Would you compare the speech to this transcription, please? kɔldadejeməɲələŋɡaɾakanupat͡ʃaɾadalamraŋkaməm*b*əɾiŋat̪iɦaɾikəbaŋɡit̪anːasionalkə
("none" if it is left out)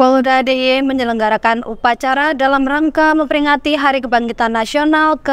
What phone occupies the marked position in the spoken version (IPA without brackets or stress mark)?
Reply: p